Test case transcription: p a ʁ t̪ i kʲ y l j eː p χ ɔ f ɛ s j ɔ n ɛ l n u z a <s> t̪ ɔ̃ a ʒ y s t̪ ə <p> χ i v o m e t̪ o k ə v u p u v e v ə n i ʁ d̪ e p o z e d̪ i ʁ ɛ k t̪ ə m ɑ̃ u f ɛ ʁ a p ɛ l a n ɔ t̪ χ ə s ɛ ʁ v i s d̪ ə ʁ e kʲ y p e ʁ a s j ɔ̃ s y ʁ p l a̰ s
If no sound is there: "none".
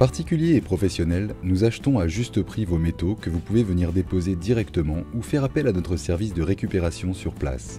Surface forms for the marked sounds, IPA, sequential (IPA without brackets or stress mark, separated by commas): ʃ, p